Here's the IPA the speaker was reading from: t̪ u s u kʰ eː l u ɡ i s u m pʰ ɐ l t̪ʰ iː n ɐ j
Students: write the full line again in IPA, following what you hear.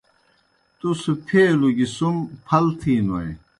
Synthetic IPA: t̪ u s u pʰ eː l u ɡ i s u m pʰ ɐ l t̪ʰ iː n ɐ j